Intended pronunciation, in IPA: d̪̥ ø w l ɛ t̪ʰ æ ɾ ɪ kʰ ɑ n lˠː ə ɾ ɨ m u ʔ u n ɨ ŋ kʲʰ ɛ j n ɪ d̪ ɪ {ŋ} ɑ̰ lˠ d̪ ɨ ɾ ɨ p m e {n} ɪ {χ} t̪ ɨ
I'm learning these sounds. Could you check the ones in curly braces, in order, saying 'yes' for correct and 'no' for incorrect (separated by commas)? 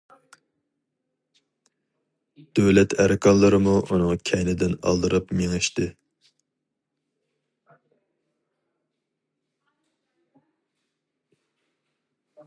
no, no, no